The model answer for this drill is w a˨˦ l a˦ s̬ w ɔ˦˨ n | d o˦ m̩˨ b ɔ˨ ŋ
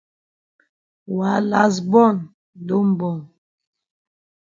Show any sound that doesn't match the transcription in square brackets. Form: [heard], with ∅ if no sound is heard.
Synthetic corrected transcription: w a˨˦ l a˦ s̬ [b] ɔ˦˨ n | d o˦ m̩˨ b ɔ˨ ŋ

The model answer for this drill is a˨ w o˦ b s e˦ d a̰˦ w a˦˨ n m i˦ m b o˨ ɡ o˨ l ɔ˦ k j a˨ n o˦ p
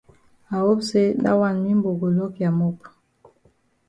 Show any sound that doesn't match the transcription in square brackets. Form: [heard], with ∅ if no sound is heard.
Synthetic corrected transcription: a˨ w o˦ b s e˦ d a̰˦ w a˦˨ n m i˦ m b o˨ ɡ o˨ l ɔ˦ k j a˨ [m] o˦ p

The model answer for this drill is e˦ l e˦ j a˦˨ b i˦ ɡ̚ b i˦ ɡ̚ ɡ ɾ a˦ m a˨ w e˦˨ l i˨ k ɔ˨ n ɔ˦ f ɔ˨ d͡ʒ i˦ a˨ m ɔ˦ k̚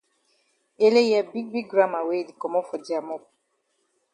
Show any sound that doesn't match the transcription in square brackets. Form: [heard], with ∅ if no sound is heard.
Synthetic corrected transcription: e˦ l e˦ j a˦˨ b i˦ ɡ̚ b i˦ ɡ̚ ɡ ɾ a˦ m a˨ w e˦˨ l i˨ k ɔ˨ [m] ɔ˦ f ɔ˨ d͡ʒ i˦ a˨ m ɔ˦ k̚

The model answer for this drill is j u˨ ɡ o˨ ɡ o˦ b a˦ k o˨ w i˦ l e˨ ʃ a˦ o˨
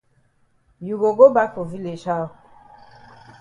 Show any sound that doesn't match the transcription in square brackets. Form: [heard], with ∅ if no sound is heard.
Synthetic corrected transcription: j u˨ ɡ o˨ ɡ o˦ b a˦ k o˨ [v] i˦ l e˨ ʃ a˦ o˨

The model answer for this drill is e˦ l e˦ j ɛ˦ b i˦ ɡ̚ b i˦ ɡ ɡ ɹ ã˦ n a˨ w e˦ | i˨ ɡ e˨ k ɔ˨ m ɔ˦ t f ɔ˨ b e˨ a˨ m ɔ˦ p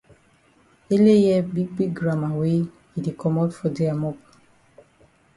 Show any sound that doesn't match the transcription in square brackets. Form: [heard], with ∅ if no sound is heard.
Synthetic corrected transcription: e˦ l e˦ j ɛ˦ b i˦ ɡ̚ b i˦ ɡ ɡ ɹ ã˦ [m] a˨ w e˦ | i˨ [d] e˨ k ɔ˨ m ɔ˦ t f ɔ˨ [d] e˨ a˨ m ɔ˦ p

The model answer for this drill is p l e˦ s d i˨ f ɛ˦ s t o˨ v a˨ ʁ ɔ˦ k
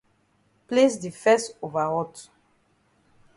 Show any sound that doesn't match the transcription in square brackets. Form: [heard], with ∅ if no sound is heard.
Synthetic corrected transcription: p l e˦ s d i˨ f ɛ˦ s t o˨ v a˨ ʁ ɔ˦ [t]

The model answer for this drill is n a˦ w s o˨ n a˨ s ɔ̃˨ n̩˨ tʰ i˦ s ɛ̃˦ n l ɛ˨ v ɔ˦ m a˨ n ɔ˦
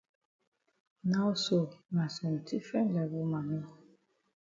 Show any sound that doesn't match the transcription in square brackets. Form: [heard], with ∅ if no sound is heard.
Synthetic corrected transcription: n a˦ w s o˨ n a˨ s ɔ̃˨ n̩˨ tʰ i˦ [f] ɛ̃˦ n l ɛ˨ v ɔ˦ m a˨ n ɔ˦

